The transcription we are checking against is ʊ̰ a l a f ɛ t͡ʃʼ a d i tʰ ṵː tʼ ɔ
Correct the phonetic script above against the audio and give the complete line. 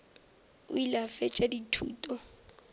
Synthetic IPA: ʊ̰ i l a f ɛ t͡ʃʼ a d i tʰ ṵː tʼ ɔ